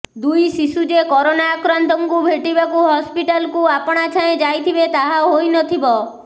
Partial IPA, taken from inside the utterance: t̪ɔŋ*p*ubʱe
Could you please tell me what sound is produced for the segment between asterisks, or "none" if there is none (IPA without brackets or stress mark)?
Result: k